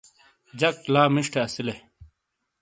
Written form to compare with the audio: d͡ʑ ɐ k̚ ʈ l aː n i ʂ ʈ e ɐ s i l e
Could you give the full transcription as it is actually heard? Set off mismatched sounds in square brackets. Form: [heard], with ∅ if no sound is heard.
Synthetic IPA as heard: d͡ʑ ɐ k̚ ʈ l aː [m] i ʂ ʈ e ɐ s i l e